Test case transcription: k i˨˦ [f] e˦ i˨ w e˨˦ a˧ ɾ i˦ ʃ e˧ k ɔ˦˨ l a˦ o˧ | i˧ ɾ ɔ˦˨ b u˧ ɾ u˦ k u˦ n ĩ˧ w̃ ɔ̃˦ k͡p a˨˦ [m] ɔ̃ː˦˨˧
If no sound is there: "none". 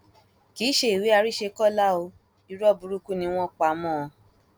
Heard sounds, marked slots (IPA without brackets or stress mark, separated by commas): ʃ, m